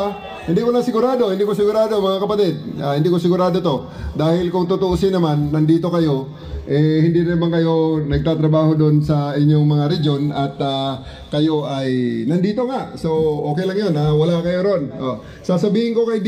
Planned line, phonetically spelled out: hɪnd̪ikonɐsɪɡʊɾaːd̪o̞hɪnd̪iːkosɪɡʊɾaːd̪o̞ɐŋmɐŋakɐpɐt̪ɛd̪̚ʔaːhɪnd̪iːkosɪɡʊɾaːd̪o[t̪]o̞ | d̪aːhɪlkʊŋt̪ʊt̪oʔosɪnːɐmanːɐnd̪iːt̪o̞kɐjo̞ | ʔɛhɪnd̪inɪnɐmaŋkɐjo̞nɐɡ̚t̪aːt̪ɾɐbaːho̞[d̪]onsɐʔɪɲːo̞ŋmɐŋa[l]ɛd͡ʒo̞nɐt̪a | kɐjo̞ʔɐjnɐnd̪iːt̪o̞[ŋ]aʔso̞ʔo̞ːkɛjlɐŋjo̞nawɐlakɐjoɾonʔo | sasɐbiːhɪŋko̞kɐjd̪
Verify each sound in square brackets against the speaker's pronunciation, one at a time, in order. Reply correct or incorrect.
correct, correct, incorrect, correct

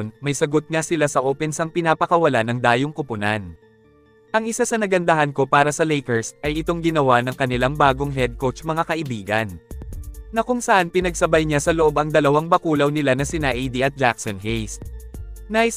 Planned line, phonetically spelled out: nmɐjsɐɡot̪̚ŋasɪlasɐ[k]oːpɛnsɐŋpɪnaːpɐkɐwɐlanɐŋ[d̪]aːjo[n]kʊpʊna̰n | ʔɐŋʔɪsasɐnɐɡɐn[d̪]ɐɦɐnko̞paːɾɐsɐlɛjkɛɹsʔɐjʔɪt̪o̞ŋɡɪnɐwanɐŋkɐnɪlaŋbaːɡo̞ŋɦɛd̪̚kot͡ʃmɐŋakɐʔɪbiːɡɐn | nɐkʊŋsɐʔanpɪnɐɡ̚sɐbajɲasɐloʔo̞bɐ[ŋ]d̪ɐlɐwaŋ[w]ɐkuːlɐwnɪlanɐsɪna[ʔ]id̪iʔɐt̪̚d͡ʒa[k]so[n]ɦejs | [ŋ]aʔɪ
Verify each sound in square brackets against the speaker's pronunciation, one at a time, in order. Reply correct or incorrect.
incorrect, correct, incorrect, correct, correct, incorrect, correct, correct, correct, incorrect

